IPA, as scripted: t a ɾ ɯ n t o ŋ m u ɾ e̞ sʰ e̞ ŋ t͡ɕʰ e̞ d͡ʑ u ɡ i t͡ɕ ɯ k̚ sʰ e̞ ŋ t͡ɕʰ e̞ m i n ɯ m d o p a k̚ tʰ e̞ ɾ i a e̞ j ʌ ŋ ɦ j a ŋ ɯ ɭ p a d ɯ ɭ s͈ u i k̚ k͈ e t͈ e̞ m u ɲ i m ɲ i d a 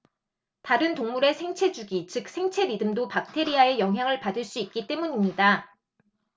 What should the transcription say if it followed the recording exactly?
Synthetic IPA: t a ɾ ɯ n t o ŋ m u ɾ e̞ sʰ e̞ ŋ t͡ɕʰ e̞ d͡ʑ u ɡ i t͡ɕ ɯ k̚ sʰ e̞ ŋ t͡ɕʰ e̞ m i d ɯ m d o p a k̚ tʰ e̞ ɾ i a e̞ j ʌ ŋ ɦ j a ŋ ɯ ɭ p a d ɯ ɭ s͈ u i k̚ k͈ i t͈ e̞ m u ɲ i m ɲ i d a